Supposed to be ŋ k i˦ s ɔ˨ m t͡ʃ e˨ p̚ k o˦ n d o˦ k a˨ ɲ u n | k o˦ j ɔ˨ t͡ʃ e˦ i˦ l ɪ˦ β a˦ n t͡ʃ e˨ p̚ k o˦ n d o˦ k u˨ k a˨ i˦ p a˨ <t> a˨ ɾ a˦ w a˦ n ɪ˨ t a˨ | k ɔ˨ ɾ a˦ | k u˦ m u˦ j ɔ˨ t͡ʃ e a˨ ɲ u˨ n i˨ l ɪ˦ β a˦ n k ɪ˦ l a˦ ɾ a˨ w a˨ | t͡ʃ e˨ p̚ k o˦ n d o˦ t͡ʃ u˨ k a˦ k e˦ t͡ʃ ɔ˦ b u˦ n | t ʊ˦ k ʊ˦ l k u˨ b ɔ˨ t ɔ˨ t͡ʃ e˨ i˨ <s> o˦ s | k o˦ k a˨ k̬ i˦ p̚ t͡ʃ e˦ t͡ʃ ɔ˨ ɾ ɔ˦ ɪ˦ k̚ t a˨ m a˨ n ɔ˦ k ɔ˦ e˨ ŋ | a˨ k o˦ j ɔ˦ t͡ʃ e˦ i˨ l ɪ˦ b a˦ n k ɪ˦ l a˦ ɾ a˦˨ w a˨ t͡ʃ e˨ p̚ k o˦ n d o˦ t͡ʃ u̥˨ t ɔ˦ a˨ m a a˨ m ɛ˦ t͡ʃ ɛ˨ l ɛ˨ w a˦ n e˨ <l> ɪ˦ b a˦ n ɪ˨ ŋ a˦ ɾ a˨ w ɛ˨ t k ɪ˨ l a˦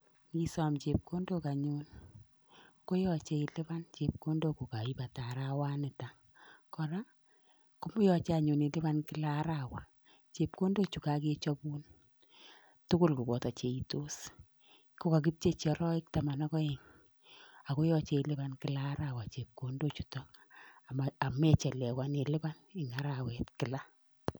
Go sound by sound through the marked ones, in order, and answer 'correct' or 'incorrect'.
correct, incorrect: t, correct

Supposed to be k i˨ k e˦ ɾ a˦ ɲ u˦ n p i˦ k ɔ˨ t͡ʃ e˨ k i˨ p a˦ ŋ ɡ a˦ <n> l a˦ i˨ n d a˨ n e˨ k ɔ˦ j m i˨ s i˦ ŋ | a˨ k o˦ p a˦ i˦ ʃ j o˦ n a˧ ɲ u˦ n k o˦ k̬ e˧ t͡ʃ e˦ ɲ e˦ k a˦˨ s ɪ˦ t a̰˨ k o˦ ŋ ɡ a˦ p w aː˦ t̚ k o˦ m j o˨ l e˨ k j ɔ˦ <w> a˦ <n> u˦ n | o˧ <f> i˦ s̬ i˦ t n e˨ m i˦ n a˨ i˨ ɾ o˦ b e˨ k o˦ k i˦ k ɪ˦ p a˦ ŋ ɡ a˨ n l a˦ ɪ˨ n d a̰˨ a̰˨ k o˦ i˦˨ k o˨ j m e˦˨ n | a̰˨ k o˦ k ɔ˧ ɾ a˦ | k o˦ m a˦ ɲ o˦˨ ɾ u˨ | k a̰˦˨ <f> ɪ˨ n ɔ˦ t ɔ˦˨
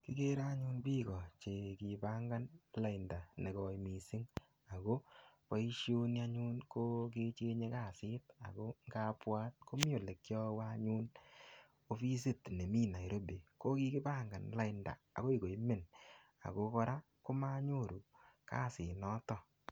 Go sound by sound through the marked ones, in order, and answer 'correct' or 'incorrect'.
correct, correct, incorrect: ɲ, correct, incorrect: s

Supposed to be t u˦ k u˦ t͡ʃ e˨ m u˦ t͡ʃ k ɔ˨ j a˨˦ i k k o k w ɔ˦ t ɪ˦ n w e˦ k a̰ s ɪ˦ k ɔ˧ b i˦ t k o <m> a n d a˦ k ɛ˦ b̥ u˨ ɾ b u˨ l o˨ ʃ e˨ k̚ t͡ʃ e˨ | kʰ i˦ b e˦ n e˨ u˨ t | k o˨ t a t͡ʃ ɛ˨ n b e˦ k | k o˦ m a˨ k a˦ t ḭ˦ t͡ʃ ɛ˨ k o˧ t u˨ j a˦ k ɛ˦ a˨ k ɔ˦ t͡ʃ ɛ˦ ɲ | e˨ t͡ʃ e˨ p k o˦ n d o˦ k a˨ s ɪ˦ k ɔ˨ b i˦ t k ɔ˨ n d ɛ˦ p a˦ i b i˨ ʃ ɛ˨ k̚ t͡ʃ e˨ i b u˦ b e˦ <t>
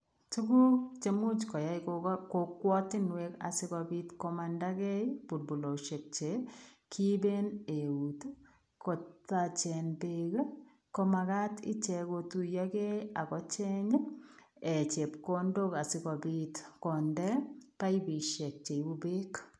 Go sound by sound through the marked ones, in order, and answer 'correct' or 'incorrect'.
correct, incorrect: k

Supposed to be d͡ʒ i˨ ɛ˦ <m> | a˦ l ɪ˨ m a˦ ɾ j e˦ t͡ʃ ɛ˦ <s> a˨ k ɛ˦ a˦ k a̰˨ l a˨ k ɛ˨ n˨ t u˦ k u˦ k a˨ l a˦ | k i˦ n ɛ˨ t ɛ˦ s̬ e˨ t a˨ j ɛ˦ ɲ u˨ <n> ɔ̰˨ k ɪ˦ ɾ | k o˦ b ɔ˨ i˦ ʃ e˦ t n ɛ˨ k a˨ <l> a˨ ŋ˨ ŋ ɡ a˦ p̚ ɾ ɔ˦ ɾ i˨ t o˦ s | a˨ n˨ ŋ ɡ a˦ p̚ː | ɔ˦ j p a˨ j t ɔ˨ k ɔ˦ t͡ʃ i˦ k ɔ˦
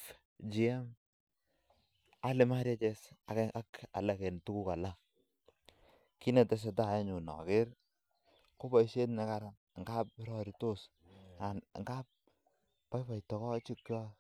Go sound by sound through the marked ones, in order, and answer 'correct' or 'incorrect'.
correct, correct, correct, incorrect: ɾ

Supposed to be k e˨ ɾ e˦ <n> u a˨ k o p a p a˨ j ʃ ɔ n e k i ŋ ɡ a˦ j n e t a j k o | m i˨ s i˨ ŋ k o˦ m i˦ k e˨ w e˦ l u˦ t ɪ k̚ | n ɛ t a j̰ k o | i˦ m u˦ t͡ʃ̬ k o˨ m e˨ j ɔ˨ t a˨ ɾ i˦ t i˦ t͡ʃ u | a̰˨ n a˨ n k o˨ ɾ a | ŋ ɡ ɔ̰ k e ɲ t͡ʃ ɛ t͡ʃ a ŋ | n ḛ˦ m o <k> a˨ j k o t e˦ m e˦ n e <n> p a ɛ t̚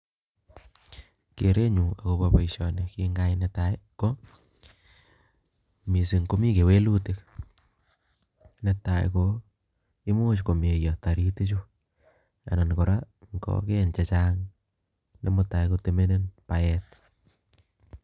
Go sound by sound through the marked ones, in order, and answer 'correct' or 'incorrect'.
incorrect: ɲ, incorrect: t, correct

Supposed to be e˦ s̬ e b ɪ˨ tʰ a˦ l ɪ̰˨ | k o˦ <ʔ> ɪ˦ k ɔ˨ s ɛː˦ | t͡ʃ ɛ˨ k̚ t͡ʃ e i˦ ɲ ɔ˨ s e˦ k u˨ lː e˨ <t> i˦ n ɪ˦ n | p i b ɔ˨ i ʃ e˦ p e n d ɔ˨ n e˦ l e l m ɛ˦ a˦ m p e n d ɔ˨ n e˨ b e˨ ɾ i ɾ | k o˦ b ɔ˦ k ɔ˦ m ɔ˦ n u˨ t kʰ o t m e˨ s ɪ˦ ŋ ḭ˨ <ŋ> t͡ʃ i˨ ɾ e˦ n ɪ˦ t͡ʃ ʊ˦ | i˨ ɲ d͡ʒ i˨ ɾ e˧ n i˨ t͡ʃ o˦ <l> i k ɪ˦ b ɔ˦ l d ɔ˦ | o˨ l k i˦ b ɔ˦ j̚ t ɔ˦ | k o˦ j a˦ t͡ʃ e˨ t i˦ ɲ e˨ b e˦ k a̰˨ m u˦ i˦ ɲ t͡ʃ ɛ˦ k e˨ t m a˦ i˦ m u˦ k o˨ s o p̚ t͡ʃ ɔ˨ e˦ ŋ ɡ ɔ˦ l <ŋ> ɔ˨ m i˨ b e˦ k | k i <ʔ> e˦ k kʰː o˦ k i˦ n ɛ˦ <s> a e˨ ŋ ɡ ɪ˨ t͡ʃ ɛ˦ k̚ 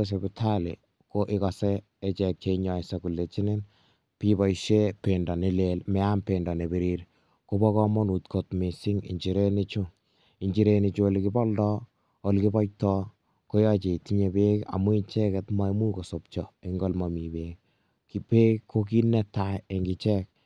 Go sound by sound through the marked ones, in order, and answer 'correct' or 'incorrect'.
correct, incorrect: t͡ʃ, incorrect: ɲ, correct, incorrect: m, incorrect: p, incorrect: t

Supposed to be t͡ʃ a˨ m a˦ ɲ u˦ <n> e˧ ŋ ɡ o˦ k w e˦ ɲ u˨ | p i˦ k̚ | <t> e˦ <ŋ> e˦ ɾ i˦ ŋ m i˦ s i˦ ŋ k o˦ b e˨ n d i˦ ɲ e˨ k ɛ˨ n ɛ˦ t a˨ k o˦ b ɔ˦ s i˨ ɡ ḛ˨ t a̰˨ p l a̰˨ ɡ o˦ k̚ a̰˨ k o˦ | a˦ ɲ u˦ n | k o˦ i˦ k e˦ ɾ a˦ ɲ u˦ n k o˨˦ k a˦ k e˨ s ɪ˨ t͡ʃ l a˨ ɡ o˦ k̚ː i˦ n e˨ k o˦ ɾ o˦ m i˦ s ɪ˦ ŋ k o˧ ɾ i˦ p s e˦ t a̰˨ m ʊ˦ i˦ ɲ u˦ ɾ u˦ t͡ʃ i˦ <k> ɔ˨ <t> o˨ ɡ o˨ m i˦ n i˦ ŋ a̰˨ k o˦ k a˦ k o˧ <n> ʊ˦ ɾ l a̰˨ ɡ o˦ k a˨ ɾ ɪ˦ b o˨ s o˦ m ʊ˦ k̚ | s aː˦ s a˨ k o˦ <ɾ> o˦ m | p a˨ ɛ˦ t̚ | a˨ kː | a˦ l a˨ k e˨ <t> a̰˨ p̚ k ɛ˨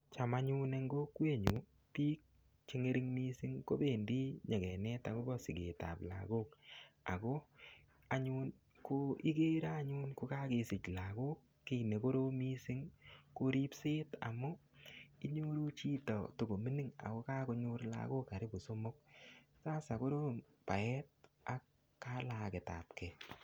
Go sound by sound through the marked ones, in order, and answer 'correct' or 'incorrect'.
correct, incorrect: t͡ʃ, correct, incorrect: t, correct, incorrect: ɲ, correct, correct

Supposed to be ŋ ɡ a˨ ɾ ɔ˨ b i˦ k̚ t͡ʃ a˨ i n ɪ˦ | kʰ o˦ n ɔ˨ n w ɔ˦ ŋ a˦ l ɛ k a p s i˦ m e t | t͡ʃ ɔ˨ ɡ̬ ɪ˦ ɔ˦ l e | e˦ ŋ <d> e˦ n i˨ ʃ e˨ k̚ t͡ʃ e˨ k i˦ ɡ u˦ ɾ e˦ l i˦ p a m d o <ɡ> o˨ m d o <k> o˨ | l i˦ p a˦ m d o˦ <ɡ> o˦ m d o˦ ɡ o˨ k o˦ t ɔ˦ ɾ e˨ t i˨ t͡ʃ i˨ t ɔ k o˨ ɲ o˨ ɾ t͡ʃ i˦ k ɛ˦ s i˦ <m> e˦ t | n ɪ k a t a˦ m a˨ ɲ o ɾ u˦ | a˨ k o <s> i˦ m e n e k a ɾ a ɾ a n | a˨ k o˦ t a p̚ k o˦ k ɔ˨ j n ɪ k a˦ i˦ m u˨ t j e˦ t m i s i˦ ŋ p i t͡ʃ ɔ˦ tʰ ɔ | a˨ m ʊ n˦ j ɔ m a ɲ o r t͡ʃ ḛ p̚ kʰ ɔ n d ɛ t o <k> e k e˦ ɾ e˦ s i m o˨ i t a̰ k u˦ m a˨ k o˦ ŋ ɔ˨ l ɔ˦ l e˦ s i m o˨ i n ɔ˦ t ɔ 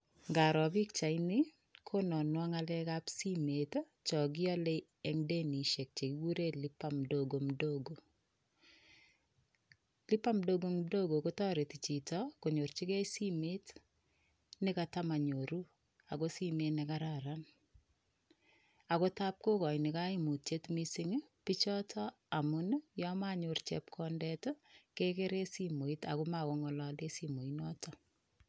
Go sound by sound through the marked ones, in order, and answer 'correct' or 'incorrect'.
correct, correct, incorrect: ɡ, correct, correct, correct, correct

